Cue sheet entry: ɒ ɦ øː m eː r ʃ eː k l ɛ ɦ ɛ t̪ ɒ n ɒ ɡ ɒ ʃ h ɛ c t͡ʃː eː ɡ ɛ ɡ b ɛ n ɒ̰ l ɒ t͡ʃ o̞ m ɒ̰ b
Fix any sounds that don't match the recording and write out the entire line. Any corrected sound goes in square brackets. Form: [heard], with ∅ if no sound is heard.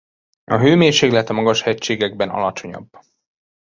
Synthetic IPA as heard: ɒ ɦ øː m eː r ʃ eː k l ɛ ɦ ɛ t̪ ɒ [m] ɒ ɡ ɒ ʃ h ɛ c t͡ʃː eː ɡ ɛ ɡ b ɛ n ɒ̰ l ɒ t͡ʃ o̞ [ɲ] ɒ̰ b